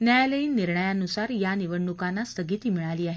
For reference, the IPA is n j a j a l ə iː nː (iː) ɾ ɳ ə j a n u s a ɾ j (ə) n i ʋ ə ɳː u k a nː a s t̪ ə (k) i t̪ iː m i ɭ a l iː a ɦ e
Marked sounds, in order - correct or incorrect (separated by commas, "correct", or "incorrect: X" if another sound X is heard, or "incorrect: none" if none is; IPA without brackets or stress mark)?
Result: incorrect: i, incorrect: a, incorrect: ɡ